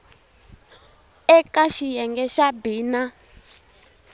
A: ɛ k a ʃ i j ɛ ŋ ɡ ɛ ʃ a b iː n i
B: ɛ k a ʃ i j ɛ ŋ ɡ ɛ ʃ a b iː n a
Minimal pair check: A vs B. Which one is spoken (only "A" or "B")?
B